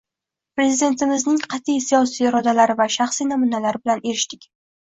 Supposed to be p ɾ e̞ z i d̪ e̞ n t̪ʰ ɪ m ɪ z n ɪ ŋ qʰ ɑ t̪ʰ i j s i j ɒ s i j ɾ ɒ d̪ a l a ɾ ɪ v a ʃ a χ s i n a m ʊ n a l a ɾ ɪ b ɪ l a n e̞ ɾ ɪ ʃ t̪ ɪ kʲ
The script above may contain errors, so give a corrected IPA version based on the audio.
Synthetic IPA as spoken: p ɾ e̞ z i d̪ e̞ n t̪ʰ ɪ m ɪ z n ɪ ŋ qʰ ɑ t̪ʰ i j s i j ɒ s i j ɾ ɒ d̪ a l a ɾ ɪ v a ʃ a χ s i n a m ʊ n a l a ɾ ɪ b ɪ l a n e̞ ɾ ɪ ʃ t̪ ɪ kʲ